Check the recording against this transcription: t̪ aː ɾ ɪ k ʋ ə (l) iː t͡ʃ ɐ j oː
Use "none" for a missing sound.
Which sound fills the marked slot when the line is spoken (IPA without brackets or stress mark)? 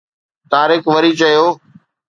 ɾ